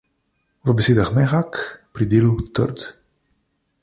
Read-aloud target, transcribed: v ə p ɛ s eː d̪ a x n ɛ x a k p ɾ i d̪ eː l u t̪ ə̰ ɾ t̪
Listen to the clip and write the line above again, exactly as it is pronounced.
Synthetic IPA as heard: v ə b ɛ s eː d̪ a x m ɛ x a k p ɾ i d̪ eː l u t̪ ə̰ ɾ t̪